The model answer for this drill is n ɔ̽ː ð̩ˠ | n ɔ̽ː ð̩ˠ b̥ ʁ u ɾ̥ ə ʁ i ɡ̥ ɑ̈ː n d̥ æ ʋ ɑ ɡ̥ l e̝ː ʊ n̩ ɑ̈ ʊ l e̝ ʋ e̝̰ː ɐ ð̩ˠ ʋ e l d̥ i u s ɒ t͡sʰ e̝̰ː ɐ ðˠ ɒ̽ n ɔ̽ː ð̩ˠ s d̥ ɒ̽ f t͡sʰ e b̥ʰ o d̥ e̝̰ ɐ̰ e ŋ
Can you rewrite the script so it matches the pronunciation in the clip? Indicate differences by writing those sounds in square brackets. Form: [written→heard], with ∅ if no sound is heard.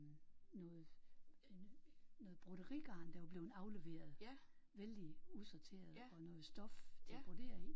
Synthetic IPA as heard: n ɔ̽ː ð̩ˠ | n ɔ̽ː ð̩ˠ b̥ ʁ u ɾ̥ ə ʁ i ɡ̥ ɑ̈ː n d̥ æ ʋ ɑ [ɡ̥→b̥] l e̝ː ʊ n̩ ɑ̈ ʊ l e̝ ʋ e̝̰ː ɐ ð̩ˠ ʋ e l d̥ i u s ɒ t͡sʰ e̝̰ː ɐ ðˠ ɒ̽ n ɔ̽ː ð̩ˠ s d̥ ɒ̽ f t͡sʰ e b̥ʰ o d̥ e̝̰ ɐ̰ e ŋ

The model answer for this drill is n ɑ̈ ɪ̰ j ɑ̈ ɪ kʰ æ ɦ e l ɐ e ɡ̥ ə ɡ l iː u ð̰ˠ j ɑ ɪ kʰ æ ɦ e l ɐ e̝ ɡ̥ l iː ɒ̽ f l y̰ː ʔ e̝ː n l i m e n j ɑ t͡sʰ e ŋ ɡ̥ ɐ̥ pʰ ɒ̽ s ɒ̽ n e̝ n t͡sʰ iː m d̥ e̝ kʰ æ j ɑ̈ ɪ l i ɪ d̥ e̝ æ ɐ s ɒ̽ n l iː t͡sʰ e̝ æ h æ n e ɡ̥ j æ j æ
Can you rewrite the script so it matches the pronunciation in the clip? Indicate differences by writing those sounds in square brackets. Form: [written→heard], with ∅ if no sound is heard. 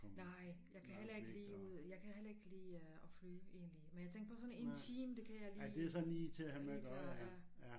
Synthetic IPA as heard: n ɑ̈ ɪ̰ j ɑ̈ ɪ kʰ æ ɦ e l ɐ e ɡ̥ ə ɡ l iː u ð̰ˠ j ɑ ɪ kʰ æ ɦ e l ɐ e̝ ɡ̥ l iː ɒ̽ f l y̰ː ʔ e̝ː n l i m e n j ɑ t͡sʰ e ŋ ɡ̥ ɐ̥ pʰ ɒ̽ s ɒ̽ n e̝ n t͡sʰ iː m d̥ e̝ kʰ æ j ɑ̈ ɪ l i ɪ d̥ e̝ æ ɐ s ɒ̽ n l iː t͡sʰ e̝ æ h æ [n→m] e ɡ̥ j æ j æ

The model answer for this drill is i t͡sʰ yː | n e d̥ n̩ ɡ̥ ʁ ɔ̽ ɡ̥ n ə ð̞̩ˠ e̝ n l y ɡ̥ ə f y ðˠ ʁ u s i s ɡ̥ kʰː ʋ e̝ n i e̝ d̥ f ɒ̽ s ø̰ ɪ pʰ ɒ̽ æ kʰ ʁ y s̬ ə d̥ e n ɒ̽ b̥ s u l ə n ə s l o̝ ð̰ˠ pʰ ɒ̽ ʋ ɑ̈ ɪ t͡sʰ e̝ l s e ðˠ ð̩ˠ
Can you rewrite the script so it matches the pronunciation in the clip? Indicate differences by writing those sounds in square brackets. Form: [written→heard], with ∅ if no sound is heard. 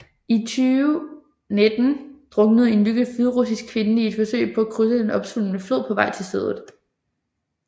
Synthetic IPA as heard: i t͡sʰ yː | n e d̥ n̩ [ɡ̥→d̥] ʁ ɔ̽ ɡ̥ n ə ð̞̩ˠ e̝ n l y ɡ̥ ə f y ðˠ ʁ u s i s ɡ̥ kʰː ʋ e̝ n i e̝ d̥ f ɒ̽ s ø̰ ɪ pʰ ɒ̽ æ kʰ ʁ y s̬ ə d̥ e n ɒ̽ b̥ s u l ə n ə [s→f] l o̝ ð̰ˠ pʰ ɒ̽ ʋ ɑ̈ ɪ t͡sʰ e̝ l s e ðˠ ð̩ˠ

